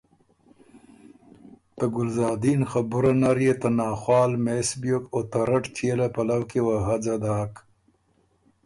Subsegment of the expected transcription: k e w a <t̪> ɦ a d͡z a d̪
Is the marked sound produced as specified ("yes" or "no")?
no